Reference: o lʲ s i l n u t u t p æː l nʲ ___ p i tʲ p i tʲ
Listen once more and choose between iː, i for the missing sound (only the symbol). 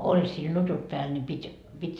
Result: i